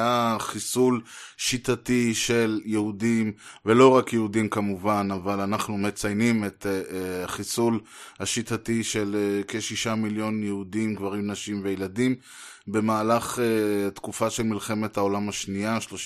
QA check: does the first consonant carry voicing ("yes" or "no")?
no